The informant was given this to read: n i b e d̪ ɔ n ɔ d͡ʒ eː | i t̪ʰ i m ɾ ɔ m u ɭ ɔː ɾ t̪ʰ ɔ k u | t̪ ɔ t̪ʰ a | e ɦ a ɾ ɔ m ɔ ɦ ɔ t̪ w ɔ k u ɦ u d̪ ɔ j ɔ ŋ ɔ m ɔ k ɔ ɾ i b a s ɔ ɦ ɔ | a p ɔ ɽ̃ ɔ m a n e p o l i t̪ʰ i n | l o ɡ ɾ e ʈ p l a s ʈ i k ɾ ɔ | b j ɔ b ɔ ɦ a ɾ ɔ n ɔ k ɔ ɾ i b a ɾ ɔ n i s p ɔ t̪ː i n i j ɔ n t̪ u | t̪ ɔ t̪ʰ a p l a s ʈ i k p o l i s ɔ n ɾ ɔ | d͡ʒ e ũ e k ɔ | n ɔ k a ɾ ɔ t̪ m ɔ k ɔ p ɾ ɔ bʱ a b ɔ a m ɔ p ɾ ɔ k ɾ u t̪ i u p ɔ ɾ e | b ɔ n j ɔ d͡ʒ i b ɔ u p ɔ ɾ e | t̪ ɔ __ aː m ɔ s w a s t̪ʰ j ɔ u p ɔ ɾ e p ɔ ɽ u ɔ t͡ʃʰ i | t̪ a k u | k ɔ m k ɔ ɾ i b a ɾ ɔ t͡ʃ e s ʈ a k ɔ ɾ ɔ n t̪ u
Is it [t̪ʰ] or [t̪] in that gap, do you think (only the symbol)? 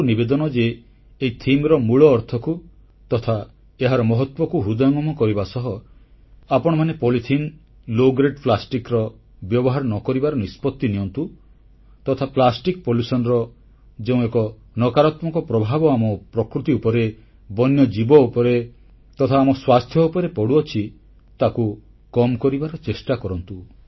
t̪ʰ